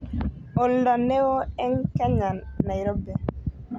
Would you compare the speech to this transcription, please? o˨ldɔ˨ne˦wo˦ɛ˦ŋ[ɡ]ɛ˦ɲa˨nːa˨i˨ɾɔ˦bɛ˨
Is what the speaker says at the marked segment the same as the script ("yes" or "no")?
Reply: no